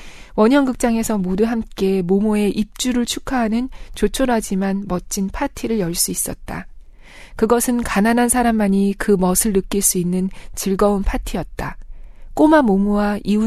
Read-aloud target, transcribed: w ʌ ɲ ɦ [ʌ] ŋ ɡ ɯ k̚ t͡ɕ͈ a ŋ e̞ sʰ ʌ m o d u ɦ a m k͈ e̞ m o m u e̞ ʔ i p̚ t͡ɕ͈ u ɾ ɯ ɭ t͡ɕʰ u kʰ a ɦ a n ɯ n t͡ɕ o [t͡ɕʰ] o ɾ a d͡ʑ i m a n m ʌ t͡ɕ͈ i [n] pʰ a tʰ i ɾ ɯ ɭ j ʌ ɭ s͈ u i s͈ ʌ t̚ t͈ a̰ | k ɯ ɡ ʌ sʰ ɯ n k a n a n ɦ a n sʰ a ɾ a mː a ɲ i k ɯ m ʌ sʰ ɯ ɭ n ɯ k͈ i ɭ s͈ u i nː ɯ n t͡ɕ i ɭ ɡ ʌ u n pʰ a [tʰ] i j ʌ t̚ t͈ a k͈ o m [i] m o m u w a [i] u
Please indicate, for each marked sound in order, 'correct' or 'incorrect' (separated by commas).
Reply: correct, correct, correct, correct, incorrect, correct